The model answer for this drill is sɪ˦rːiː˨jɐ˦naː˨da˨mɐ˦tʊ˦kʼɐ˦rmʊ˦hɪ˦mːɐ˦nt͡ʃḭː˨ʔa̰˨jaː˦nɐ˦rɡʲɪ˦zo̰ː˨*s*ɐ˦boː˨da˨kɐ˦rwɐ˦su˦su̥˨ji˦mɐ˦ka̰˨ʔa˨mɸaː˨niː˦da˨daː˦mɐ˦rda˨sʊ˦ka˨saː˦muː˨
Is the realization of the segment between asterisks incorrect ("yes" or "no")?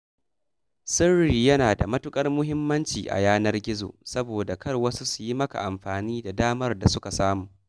no